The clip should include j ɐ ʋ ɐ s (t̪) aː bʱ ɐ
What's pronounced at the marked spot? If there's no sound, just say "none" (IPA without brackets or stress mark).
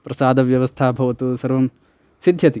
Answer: t̪ʰ